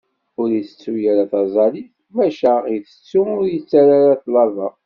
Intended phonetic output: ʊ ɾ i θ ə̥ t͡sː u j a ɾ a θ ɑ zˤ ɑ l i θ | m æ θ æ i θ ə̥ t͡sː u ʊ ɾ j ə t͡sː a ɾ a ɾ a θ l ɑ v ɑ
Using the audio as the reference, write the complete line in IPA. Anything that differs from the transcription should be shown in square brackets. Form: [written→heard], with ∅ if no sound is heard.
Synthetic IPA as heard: ʊ ɾ i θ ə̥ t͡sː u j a ɾ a θ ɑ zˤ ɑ l i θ | m æ [θ→ʃ] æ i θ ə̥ t͡sː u ʊ ɾ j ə t͡sː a ɾ a ɾ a θ l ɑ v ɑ